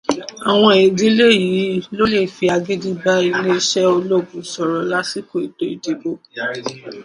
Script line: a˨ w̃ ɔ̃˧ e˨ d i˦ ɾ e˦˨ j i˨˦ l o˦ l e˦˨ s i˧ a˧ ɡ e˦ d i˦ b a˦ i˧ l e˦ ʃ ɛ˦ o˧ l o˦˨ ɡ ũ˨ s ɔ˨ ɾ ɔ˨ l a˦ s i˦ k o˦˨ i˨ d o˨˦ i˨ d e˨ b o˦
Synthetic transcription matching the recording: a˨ w̃ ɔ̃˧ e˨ d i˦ l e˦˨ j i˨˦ l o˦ l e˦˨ f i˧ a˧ ɡ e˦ d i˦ b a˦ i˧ l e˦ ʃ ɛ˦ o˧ l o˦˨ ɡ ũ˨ s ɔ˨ ɾ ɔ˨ l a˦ s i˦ k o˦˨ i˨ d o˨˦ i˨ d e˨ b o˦